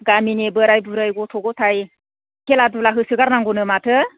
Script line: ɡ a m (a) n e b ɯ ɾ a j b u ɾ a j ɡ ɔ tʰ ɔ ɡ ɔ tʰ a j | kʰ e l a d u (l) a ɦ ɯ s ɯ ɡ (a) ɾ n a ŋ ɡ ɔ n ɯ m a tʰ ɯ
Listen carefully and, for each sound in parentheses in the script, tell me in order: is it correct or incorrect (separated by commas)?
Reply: incorrect, correct, correct